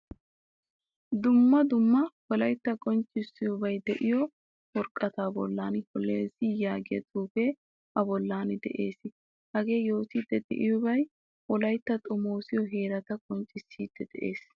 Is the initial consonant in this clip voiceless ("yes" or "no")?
no